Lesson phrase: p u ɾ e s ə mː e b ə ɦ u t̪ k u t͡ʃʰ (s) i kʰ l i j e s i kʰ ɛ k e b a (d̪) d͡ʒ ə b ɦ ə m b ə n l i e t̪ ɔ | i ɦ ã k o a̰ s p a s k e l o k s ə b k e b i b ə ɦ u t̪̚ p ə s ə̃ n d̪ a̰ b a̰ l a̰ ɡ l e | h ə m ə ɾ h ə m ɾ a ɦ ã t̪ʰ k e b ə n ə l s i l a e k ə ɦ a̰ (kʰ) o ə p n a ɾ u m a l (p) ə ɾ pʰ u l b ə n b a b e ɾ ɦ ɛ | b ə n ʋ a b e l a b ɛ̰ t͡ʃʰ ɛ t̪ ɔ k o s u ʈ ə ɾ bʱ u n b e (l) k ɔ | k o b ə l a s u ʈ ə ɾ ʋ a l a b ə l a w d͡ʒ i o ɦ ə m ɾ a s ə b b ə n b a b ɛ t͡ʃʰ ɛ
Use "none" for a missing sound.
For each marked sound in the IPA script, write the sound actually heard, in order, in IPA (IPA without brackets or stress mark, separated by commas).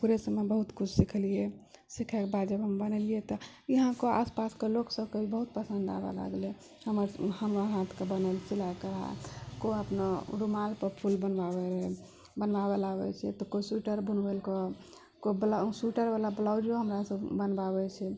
s, d̪, k, p, l